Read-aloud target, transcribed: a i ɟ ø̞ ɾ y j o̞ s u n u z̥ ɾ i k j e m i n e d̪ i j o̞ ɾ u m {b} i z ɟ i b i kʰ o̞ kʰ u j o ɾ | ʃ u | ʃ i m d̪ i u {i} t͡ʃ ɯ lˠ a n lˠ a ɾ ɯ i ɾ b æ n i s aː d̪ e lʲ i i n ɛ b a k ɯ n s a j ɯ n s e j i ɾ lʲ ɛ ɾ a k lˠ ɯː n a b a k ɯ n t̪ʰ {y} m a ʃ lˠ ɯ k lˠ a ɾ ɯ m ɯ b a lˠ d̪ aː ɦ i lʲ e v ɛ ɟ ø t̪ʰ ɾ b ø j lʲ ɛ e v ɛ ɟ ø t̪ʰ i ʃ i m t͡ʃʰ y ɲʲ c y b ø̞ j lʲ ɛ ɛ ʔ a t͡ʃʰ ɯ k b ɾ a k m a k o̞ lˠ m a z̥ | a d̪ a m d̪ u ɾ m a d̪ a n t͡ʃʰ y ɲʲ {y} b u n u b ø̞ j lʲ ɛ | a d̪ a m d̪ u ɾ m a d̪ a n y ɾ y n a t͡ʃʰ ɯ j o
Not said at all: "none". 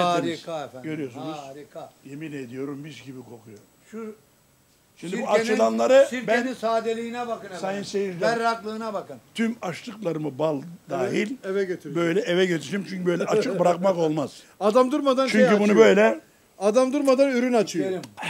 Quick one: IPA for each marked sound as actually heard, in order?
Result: b, a, y, y

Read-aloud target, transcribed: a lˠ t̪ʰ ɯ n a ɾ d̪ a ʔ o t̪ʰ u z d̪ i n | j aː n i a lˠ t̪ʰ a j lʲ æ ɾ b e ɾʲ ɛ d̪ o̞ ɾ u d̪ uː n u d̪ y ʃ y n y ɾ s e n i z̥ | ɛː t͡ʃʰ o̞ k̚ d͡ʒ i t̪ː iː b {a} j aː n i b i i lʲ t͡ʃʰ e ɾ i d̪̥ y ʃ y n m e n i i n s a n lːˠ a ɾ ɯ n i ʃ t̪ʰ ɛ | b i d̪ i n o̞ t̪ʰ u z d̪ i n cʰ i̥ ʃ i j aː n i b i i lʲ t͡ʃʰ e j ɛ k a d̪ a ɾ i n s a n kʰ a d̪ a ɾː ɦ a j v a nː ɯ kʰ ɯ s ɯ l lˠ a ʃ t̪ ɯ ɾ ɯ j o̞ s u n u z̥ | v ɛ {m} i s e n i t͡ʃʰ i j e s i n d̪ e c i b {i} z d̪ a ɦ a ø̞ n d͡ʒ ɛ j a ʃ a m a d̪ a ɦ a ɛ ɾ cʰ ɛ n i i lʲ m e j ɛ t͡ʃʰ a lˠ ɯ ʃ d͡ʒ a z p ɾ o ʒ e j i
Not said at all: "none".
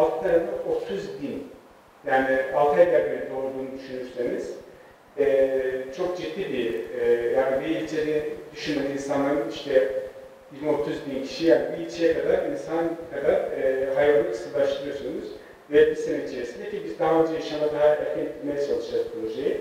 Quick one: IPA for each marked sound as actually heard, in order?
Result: i, b, i

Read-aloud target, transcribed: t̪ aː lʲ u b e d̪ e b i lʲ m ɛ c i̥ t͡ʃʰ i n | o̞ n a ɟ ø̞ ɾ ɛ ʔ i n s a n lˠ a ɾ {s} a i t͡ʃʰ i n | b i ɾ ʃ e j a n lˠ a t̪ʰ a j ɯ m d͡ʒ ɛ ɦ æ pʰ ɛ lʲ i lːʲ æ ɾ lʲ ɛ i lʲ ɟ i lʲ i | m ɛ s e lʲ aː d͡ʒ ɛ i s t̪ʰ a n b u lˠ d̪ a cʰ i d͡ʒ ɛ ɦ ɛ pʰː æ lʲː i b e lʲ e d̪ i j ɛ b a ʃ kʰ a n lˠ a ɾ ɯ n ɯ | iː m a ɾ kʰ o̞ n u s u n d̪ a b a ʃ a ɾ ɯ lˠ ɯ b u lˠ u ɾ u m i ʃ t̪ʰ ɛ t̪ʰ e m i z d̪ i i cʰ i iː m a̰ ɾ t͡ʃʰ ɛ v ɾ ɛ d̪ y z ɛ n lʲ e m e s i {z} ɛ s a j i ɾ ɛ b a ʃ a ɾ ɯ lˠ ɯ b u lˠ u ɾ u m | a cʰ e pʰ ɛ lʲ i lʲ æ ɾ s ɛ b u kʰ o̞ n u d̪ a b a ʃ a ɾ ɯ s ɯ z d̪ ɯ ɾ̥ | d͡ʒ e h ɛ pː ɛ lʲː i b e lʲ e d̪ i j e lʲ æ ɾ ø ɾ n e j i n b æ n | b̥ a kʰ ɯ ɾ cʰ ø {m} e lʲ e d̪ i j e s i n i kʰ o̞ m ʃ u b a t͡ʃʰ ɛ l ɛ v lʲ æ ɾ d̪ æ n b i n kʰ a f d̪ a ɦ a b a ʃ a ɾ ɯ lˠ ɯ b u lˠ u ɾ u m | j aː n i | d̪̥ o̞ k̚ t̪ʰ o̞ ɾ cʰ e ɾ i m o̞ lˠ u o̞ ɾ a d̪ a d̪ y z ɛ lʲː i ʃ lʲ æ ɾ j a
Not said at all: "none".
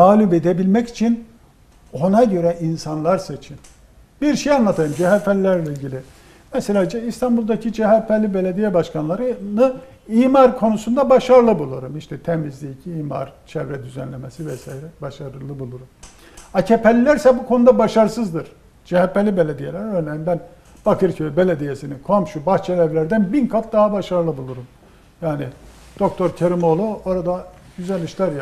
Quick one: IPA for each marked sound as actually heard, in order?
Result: s, v, b

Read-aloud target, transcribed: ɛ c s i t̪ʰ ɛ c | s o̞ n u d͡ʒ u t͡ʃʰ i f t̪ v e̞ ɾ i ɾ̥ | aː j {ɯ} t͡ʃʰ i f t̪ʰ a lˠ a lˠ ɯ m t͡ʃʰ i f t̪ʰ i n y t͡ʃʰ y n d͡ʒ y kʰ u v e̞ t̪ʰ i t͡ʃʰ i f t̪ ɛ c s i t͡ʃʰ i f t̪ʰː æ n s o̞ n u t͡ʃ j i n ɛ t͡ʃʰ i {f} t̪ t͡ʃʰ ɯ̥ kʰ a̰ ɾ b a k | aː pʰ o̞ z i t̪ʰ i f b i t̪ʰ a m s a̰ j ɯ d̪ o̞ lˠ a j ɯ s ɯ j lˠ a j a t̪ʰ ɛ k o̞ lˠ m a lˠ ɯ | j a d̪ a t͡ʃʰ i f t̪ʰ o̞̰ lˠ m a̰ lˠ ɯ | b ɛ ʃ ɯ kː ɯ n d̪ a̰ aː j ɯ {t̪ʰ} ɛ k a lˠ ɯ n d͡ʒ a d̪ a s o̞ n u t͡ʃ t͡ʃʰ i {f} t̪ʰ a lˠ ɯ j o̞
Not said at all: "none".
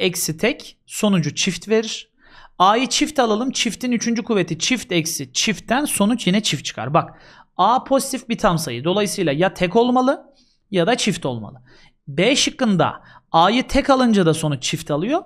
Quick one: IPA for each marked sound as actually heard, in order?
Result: ɯ, f, t̪ʰ, f

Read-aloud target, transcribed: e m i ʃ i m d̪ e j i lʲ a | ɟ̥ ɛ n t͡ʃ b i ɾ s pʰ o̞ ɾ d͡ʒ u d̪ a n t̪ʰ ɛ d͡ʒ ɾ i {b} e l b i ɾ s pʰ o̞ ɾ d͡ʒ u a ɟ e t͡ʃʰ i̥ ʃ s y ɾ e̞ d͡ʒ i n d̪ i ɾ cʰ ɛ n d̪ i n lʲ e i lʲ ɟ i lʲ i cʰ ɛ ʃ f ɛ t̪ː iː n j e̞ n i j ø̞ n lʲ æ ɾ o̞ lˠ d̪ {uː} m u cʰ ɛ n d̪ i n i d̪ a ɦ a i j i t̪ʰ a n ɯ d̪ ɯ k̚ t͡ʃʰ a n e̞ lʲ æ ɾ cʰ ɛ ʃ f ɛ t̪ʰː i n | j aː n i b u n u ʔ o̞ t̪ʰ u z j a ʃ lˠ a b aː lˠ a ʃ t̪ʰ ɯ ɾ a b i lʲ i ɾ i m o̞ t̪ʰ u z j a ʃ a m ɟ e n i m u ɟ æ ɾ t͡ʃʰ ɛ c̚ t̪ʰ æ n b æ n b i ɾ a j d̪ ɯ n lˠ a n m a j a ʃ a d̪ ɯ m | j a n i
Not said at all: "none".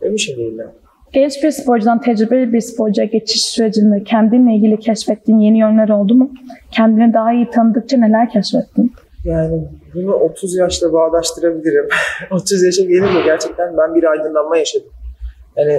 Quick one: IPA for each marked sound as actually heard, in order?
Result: b, u

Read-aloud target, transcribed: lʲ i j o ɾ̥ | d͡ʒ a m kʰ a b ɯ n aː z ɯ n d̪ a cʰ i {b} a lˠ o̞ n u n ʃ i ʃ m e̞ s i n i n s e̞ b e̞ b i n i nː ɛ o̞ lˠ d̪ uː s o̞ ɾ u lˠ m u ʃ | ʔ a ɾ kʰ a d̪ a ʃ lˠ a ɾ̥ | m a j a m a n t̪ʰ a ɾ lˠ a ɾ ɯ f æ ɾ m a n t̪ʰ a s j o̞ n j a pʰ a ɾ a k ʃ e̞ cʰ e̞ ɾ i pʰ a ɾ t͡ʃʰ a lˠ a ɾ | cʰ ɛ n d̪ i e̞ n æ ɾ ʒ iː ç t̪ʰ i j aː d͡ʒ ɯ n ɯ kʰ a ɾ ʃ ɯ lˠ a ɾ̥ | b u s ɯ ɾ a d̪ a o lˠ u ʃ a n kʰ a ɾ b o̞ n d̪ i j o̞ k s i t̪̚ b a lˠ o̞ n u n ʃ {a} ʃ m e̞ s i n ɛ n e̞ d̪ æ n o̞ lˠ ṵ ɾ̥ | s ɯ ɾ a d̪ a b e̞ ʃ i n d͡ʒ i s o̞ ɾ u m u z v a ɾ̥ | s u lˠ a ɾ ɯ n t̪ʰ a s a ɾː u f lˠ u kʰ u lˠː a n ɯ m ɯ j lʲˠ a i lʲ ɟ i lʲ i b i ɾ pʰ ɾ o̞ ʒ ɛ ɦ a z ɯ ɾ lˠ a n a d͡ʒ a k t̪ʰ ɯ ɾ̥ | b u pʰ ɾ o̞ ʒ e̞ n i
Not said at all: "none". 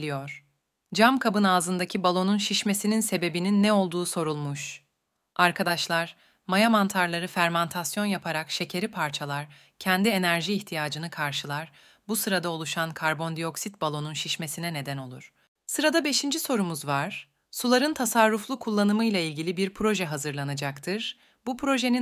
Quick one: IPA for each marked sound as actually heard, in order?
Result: b, i

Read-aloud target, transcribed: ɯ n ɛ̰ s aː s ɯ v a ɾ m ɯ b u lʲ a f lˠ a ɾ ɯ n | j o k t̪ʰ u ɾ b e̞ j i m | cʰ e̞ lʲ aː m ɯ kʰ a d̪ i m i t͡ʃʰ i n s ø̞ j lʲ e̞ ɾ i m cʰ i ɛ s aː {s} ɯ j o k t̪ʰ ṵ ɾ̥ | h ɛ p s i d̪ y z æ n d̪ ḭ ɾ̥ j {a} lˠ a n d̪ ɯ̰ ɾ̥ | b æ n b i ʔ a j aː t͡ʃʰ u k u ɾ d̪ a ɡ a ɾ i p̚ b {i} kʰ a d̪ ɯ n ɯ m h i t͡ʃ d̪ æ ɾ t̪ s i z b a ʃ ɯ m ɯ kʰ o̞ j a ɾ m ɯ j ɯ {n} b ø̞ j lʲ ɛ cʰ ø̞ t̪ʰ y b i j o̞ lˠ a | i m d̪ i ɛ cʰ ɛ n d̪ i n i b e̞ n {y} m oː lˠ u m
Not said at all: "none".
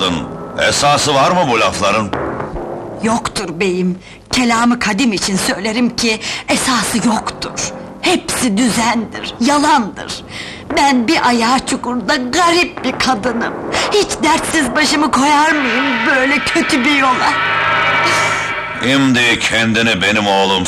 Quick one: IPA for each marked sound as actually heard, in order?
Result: s, a, i, m, i

